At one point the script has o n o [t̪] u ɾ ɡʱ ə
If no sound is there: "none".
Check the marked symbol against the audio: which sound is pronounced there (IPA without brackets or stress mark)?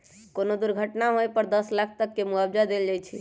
d̪